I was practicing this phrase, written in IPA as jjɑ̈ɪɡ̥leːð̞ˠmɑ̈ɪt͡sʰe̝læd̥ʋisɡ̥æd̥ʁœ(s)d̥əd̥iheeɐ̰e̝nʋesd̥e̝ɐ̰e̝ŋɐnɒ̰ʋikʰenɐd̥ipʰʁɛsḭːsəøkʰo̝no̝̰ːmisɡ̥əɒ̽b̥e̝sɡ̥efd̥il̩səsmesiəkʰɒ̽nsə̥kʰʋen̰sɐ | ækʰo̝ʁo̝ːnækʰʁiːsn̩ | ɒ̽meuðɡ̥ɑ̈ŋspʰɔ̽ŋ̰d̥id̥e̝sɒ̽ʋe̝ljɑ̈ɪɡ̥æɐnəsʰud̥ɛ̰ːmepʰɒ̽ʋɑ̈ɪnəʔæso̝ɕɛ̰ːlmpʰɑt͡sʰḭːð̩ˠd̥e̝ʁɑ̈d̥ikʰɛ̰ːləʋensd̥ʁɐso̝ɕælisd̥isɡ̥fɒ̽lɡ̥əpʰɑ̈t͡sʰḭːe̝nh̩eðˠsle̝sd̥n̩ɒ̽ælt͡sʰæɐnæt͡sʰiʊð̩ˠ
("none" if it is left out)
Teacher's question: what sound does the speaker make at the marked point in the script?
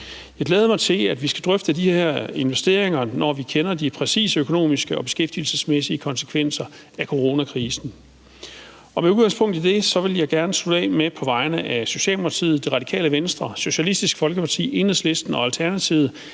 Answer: f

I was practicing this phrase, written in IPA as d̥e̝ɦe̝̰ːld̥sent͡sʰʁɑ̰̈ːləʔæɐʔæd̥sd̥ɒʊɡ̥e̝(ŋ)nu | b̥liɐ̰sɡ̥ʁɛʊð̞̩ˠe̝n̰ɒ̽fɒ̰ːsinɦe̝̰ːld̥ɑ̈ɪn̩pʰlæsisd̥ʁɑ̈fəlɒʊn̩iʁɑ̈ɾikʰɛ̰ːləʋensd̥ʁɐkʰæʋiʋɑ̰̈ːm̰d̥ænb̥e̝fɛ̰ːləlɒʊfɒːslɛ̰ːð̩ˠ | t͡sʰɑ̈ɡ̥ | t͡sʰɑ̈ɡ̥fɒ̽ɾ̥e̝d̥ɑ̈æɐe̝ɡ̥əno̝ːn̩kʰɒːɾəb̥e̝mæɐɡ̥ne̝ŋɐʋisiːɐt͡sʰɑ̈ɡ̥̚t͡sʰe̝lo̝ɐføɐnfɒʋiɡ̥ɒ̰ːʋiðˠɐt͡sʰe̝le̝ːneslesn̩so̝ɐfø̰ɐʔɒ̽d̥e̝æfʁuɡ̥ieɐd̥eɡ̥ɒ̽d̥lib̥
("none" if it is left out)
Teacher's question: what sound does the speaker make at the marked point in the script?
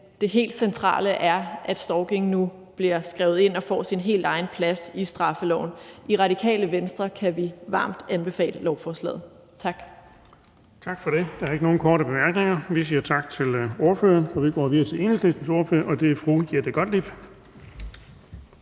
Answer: ŋ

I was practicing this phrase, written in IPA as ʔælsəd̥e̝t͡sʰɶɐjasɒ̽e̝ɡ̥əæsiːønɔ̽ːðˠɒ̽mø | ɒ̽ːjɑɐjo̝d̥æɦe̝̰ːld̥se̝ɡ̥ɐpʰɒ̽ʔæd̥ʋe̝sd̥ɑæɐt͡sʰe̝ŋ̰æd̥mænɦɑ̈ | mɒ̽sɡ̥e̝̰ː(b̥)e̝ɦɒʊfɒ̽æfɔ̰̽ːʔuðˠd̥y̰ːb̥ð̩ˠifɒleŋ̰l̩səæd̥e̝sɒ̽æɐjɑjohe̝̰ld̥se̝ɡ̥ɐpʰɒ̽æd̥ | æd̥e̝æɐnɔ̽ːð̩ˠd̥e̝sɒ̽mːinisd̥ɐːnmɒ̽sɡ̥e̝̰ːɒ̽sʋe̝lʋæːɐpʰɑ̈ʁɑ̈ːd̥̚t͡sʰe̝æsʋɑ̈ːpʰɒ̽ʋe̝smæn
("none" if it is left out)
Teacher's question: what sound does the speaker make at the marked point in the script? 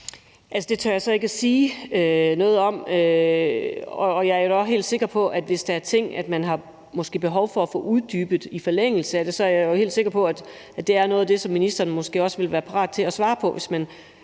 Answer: b̥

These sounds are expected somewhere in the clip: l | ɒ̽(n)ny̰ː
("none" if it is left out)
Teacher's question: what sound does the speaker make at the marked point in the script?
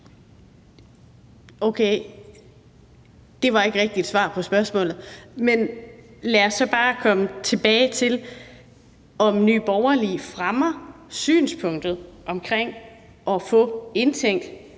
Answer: m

